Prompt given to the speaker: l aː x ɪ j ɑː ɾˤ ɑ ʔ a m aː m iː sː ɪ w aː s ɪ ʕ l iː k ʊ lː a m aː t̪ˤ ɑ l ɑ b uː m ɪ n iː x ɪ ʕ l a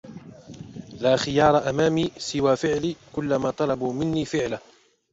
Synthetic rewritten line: l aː x ɪ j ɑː ɾˤ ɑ ʔ a m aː m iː s ɪ w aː f ɪ ʕ l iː k ʊ lː a m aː t̪ˤ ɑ l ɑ b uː m ɪ nː iː f ɪ ʕ l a